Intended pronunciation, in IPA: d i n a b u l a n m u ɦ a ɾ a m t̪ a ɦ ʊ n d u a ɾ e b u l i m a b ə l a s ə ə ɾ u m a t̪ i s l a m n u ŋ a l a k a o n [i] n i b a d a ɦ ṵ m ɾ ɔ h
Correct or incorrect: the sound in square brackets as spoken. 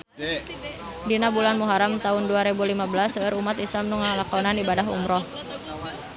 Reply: incorrect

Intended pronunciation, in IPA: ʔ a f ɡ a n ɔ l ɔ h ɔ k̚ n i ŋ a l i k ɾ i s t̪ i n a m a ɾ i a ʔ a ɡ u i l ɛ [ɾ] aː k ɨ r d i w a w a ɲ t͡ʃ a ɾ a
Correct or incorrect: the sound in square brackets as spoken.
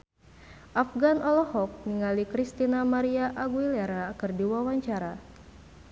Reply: correct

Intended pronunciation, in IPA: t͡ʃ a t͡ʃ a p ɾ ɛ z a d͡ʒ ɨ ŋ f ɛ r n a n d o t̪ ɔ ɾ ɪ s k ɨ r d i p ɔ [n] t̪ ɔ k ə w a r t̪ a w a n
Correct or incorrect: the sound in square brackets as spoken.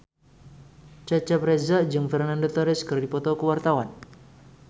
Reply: incorrect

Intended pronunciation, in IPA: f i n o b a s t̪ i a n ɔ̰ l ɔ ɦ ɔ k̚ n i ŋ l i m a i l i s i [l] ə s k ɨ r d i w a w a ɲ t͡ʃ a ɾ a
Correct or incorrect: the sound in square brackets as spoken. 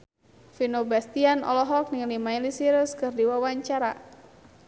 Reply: incorrect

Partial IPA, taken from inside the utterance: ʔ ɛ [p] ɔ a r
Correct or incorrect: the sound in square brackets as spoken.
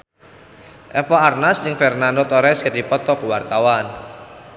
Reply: correct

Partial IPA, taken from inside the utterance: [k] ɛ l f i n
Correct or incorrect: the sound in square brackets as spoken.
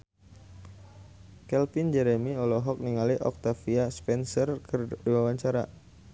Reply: correct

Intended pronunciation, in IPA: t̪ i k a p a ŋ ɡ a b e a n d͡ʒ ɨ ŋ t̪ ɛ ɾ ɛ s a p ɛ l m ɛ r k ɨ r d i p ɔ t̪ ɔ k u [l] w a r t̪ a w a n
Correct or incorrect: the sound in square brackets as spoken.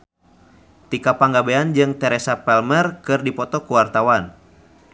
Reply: incorrect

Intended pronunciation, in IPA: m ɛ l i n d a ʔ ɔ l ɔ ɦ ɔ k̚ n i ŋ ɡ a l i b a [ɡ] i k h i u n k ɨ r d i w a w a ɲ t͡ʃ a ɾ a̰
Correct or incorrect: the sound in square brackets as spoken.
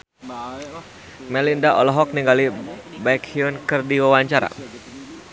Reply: incorrect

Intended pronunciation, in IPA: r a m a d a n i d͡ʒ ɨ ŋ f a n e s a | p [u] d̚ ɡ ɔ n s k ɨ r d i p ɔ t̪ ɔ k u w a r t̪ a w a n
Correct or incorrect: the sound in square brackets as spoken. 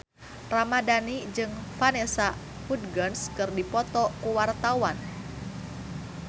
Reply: correct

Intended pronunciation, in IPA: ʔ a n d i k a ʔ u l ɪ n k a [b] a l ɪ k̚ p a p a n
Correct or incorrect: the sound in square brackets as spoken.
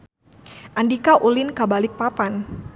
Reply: correct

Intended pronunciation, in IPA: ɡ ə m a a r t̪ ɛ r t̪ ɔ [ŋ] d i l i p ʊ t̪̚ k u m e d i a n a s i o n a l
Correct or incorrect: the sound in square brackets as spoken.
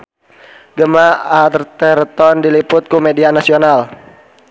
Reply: incorrect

